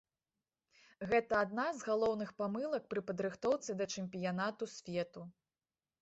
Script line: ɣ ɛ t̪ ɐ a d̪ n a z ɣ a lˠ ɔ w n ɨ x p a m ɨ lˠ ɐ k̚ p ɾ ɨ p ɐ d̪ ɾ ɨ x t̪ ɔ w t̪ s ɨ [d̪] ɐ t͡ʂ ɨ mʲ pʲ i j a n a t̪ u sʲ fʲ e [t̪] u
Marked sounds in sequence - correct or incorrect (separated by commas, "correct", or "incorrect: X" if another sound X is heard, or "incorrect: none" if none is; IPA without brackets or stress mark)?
correct, correct